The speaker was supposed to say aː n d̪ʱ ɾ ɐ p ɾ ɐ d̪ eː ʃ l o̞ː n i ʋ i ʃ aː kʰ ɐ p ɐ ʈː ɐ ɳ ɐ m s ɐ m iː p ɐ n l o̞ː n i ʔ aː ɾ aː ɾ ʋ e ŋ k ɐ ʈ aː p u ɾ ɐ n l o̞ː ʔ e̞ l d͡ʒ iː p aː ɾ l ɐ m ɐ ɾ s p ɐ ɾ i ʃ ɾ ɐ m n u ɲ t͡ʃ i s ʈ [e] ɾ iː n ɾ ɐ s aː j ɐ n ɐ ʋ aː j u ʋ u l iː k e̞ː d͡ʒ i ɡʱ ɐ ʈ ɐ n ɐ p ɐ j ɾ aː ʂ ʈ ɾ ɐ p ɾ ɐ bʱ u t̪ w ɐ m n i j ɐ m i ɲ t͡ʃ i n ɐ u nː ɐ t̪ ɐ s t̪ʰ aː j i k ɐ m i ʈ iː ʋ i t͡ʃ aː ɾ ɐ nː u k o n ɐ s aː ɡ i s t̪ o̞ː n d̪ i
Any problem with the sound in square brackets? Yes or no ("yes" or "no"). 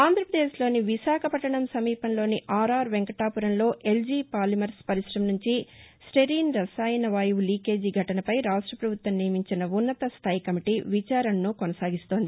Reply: no